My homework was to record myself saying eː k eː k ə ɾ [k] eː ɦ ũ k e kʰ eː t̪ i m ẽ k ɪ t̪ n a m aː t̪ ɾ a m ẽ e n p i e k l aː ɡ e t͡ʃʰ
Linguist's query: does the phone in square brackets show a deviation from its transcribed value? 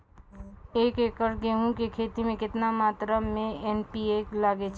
yes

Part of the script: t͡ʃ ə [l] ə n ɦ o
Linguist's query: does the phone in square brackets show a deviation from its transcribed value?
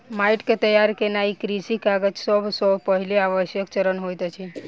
yes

